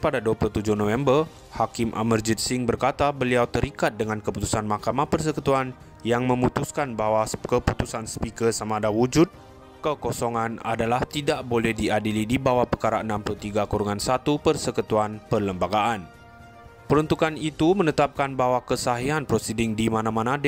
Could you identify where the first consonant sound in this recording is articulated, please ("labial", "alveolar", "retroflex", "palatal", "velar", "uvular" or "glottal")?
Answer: labial